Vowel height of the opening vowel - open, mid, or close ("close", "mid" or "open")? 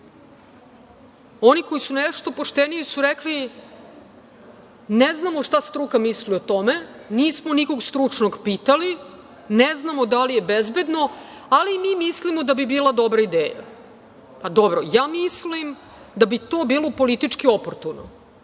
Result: mid